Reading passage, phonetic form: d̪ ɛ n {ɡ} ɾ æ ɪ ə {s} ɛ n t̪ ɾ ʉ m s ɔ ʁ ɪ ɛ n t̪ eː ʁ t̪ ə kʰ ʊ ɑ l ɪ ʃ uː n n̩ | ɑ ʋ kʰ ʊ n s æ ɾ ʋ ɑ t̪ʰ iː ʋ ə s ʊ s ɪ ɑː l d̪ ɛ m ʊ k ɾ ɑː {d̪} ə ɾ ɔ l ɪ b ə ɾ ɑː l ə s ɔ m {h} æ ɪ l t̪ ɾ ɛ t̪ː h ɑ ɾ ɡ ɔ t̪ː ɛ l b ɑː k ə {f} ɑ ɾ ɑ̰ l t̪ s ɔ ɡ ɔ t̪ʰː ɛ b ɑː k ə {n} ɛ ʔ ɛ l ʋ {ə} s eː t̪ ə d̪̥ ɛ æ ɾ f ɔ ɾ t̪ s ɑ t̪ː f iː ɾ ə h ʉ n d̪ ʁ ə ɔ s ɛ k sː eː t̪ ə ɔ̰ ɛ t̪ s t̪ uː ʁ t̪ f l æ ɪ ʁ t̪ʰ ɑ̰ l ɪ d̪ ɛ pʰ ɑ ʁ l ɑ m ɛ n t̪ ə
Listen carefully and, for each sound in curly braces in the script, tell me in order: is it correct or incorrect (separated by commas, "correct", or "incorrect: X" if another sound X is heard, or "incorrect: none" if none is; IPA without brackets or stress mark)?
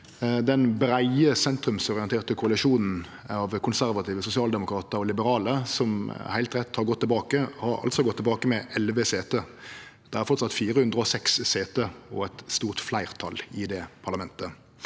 incorrect: b, correct, incorrect: t̪, correct, incorrect: h, incorrect: m, correct